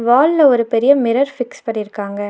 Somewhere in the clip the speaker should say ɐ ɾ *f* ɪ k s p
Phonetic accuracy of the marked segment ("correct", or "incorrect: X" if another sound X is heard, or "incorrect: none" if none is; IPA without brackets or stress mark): correct